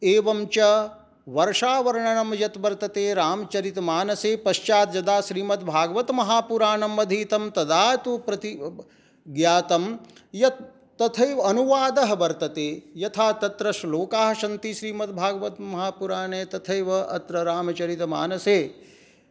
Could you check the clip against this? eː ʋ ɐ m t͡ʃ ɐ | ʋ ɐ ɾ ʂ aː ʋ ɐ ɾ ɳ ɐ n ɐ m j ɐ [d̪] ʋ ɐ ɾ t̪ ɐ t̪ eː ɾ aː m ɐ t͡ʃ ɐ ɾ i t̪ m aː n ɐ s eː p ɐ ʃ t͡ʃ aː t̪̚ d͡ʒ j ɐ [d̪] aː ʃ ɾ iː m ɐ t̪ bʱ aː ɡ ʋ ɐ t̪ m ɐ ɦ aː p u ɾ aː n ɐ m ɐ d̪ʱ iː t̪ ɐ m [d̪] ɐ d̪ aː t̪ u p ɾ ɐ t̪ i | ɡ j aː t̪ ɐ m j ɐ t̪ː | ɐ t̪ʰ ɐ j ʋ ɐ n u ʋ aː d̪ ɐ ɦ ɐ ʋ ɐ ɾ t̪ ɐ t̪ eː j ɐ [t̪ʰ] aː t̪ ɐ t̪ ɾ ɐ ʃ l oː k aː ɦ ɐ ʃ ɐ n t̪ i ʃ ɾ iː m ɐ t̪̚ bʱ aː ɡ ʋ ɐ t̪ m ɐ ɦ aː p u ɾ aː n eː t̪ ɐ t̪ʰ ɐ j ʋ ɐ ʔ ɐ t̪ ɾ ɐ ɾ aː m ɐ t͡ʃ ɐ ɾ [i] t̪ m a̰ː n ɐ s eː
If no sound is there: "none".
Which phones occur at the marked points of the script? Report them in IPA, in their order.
t̪, d̪, t̪, t̪ʰ, i

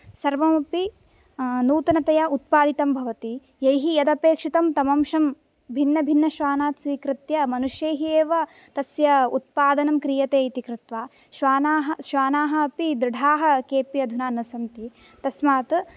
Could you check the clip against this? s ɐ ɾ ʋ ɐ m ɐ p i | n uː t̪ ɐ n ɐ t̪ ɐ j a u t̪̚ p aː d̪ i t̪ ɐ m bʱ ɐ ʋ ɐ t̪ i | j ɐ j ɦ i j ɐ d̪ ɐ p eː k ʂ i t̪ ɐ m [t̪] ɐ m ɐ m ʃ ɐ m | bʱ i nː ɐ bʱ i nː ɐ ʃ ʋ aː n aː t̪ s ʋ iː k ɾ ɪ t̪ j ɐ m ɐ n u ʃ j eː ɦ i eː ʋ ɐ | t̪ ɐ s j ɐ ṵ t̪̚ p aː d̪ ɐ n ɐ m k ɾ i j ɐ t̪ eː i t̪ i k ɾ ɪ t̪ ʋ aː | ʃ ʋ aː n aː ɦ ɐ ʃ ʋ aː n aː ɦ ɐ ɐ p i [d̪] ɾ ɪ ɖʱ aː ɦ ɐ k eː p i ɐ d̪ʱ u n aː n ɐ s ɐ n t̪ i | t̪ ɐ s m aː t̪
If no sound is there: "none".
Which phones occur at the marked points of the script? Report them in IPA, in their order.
t̪, d̪

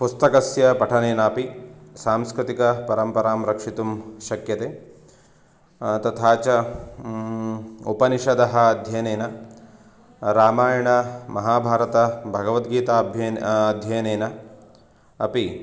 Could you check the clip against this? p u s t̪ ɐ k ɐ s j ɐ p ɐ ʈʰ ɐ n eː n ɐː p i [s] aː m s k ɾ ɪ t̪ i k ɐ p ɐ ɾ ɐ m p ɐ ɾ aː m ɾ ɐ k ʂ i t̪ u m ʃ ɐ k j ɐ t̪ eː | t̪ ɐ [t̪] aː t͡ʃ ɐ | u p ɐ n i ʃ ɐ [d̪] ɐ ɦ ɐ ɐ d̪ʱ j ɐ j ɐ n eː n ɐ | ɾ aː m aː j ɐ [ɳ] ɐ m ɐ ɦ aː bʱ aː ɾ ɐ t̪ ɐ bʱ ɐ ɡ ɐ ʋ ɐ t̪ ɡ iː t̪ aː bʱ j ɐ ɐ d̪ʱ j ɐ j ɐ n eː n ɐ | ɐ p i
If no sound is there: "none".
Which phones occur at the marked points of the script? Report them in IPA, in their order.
s, t̪ʰ, d̪, ɳ

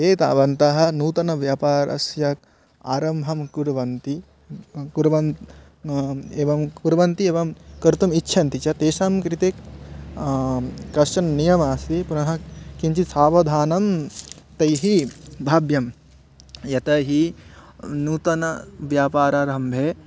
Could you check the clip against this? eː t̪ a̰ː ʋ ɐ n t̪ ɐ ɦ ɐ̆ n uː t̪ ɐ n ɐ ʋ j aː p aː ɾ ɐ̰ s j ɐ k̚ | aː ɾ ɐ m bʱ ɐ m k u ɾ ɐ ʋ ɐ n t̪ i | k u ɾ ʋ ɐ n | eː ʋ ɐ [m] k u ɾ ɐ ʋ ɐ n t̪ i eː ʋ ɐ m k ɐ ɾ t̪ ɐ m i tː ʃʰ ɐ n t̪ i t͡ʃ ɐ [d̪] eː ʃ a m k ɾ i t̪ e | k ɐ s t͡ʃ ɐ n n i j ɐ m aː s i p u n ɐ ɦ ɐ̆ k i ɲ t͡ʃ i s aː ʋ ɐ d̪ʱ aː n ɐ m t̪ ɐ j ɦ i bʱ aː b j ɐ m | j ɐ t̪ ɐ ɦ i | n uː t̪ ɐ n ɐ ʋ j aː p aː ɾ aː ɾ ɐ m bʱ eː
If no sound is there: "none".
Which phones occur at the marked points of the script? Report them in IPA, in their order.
m, t̪

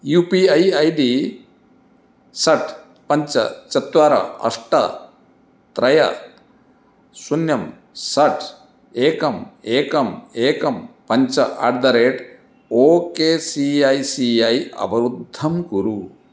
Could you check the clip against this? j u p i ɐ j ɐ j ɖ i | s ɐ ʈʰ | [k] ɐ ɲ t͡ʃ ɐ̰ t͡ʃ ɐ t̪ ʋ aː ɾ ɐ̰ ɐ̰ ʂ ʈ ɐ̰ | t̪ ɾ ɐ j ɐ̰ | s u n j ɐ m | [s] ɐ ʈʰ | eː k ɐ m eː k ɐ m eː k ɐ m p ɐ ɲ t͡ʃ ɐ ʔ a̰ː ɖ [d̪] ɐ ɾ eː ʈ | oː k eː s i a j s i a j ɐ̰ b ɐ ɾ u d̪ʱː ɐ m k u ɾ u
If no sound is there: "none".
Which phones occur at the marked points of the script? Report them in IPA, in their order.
p, s, d̪

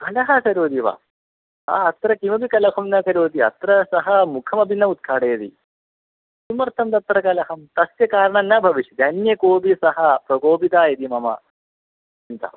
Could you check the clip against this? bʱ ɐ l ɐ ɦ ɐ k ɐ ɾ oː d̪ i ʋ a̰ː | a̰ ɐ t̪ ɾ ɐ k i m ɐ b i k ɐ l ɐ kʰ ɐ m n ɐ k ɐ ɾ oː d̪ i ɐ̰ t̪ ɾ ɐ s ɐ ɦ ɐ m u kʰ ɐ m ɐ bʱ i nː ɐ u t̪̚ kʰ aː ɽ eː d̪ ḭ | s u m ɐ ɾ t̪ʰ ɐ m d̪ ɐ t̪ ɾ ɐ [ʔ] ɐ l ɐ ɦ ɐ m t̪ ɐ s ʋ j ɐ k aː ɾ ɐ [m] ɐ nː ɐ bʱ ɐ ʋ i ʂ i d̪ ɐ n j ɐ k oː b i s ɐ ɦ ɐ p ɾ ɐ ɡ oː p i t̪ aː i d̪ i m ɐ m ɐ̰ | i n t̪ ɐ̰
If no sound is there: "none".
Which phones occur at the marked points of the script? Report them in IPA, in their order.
k, ɳ

